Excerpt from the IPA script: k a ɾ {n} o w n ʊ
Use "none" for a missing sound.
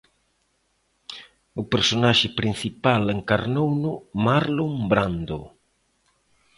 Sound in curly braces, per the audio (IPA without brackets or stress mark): n